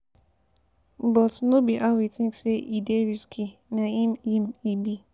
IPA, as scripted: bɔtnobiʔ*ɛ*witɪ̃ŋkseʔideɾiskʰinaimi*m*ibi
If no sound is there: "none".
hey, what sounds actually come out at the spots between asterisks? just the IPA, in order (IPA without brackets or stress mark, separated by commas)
a, m